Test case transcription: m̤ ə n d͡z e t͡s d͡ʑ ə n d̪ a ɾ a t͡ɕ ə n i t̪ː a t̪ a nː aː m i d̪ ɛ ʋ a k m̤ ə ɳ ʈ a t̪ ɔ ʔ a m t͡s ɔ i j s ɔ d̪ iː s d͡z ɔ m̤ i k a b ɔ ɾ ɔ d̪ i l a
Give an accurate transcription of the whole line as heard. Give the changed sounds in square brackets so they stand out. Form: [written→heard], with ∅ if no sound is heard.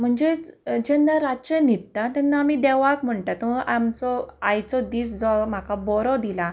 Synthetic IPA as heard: m̤ ə [n→ɳ] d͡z e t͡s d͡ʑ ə n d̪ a ɾ a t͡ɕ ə n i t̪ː a t̪ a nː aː m i d̪ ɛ ʋ a k m̤ ə ɳ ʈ a t̪ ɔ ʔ a m t͡s ɔ [i→a] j [s→t͡s] ɔ d̪ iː s d͡z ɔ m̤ [i→a] k a b ɔ ɾ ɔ d̪ i l a